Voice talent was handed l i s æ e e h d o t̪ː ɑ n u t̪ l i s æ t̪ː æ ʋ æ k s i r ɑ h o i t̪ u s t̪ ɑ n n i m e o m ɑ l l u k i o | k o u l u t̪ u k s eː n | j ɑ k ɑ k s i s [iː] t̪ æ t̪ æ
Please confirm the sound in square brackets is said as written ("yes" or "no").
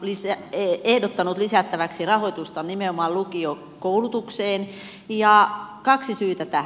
no